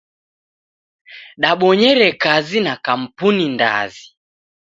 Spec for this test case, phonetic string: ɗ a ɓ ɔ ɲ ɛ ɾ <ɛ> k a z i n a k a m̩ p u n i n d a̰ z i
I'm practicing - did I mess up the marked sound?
no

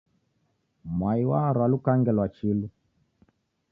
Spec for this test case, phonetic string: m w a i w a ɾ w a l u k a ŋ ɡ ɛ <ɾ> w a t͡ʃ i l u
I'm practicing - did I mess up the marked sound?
yes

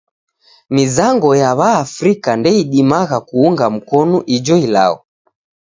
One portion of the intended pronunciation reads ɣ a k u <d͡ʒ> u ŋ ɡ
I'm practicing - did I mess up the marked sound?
yes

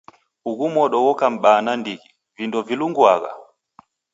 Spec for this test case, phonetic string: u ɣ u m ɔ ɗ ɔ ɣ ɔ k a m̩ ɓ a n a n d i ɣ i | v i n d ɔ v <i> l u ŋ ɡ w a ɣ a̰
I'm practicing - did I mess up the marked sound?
no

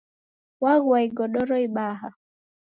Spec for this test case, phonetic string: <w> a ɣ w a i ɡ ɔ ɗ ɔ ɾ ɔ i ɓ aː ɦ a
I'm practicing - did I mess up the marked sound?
no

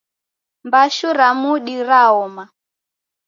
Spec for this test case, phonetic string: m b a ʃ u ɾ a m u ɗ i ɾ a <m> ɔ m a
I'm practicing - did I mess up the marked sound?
yes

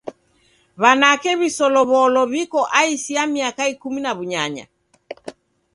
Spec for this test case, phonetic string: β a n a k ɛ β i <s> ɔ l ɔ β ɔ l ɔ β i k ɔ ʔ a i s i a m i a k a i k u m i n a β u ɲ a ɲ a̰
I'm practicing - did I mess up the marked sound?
no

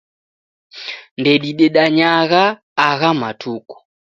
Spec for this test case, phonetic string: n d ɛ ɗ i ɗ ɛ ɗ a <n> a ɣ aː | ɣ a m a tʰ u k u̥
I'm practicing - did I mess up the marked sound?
yes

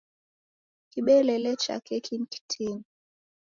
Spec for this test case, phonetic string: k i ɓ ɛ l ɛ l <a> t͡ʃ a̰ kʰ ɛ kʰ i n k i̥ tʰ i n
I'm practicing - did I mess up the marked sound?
yes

